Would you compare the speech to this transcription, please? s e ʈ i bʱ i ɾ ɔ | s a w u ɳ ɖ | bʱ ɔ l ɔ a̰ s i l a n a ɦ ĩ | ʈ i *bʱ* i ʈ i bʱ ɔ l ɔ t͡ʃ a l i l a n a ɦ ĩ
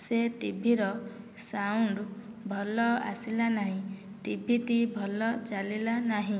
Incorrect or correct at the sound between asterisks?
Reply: correct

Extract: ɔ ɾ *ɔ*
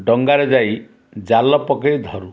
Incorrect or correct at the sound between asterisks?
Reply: incorrect: u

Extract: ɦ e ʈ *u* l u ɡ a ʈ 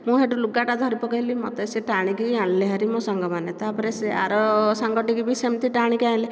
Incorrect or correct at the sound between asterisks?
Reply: correct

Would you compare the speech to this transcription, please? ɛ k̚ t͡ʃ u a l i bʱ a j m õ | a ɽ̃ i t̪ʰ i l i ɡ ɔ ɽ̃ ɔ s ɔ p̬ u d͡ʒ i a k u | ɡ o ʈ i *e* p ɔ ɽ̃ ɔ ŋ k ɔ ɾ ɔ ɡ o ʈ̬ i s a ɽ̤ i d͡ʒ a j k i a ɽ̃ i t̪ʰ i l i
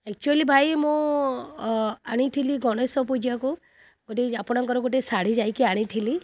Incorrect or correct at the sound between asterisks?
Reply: incorrect: a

